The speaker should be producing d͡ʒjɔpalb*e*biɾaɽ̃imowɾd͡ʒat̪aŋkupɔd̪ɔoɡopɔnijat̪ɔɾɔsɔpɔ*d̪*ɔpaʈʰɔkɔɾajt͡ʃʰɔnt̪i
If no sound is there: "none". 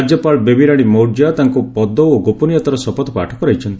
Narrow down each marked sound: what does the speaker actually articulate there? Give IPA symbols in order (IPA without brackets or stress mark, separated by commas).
e, t̪